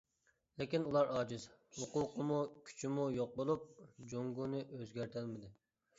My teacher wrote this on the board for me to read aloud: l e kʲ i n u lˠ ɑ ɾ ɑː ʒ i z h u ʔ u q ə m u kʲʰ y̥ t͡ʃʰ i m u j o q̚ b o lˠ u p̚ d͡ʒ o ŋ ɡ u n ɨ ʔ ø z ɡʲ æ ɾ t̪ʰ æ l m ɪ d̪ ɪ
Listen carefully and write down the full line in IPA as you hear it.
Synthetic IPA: l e kʲ i n u lˠ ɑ ɾ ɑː d͡ʒ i z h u q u q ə m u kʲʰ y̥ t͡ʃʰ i m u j o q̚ b o lˠ u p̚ d͡ʒ o ŋ ɡ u n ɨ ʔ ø z ɡʲ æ ɾ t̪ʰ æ l m ɪ d̪ ɪ